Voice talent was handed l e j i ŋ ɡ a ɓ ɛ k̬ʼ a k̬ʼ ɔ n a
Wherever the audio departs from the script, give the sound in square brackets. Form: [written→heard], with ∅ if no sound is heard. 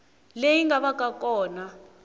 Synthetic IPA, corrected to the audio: l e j i ŋ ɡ a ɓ [ɛ→a] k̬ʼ a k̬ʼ [ɔ→ɔː] n a